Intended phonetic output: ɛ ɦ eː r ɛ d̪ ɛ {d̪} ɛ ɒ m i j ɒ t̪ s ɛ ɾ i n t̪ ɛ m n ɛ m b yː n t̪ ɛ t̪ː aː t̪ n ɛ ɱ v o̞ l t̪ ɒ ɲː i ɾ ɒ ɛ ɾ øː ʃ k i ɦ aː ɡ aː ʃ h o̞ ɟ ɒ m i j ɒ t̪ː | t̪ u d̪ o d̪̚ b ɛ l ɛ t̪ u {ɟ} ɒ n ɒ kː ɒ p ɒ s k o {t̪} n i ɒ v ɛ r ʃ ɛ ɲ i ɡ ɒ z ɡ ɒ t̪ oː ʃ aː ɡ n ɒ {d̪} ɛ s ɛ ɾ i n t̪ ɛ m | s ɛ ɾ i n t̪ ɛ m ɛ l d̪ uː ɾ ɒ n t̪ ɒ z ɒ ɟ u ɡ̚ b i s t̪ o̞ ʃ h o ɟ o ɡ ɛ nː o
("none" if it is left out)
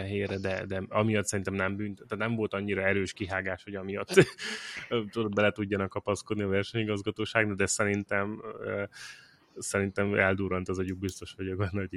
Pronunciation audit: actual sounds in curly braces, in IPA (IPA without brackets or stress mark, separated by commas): d̪, ɟː, d̪, d̪